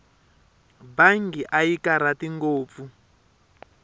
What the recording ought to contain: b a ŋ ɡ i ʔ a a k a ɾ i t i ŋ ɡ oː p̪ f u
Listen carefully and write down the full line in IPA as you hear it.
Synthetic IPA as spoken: b a ŋ ɡ i ʔ a i k a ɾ a t i ŋ ɡ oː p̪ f u